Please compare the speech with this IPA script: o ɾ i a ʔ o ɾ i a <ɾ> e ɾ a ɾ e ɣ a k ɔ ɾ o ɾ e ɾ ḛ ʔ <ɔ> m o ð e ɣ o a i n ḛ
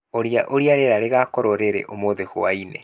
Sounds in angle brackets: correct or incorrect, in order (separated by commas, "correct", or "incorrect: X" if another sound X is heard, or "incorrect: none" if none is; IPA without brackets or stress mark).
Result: correct, incorrect: o